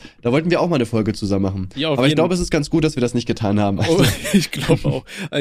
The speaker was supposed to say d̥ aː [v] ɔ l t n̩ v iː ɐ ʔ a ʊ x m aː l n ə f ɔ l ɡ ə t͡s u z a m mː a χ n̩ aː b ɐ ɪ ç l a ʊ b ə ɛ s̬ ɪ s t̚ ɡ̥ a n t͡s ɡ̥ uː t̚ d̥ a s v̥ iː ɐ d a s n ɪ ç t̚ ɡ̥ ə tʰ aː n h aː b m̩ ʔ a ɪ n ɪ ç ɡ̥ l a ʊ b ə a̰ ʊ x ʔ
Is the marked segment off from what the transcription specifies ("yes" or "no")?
no